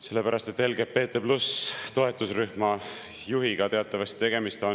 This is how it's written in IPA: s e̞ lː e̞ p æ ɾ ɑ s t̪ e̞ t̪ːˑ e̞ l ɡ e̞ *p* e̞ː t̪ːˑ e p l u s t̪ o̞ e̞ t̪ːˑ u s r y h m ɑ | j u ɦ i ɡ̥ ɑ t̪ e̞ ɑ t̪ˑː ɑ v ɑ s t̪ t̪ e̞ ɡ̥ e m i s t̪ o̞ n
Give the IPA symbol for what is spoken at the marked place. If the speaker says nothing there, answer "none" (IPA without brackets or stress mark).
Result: p